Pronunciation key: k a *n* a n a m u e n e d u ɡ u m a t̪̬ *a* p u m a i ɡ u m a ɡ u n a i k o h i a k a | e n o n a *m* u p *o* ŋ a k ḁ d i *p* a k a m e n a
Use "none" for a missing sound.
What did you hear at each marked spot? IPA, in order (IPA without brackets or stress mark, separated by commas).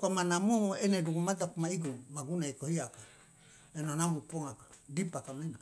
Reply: m, a, m, o, p